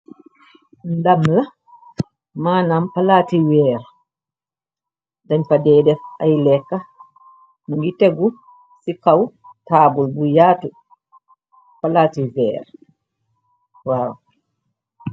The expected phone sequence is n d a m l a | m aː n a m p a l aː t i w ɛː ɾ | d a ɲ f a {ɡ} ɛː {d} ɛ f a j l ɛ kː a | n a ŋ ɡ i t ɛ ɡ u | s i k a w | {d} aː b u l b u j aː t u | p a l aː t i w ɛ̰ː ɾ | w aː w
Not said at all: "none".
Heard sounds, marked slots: d, d, t

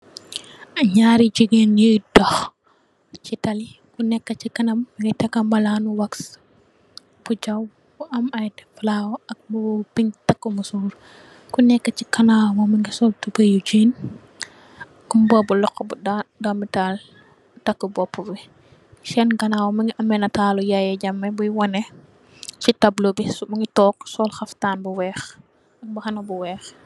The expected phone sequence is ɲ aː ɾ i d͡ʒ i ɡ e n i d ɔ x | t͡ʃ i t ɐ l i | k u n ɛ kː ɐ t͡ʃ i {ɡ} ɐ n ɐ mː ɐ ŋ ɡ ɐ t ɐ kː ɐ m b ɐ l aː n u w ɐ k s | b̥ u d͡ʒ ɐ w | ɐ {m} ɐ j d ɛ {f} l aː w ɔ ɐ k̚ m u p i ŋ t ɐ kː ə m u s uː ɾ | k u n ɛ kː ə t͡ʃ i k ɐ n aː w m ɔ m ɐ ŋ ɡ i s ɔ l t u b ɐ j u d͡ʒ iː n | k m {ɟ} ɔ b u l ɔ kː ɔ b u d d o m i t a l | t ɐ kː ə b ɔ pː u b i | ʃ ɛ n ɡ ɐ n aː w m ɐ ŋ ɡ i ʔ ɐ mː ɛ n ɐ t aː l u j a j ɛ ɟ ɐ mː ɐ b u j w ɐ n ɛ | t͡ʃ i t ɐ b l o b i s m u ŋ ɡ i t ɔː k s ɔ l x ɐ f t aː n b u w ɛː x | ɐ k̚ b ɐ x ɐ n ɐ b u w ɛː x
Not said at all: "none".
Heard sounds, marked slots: k, m, f, b

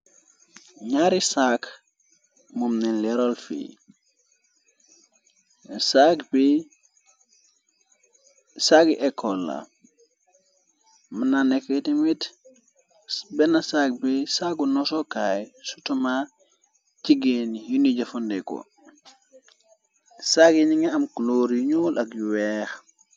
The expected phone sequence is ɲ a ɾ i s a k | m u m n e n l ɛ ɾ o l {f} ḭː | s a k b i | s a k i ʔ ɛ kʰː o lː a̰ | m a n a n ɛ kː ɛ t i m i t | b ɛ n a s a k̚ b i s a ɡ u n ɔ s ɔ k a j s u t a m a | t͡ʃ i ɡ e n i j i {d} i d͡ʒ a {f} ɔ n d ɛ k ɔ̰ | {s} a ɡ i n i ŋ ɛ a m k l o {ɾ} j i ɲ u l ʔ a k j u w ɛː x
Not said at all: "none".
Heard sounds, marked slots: f, n, f, s, ɾ

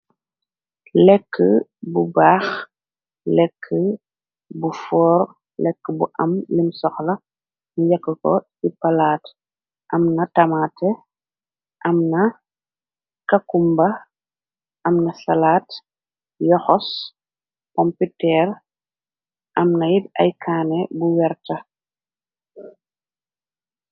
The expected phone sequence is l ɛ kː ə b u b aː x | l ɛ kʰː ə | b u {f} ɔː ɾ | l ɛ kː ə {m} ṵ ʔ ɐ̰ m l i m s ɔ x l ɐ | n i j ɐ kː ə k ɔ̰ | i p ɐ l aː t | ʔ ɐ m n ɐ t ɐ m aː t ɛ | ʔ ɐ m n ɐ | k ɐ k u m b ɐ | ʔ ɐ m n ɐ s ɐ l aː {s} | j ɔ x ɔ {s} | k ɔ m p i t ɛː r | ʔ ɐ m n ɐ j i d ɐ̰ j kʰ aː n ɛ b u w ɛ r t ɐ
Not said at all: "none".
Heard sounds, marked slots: f, b, t, s

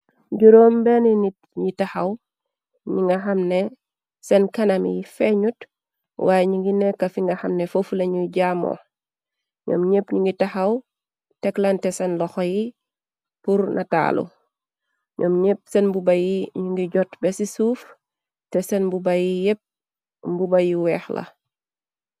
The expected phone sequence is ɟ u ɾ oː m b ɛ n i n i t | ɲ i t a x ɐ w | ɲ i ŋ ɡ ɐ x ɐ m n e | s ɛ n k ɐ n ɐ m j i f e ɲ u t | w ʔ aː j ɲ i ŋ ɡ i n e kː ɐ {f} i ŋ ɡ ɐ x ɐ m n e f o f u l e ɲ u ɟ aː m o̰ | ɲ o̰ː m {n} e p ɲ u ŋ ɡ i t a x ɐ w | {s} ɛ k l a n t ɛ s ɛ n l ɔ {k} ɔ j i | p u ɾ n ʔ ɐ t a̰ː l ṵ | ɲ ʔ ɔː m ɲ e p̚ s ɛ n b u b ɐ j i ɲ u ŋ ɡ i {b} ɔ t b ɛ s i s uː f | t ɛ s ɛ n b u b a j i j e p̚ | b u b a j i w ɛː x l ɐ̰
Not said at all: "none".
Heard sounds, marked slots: f, ɲ, t, x, ɟ

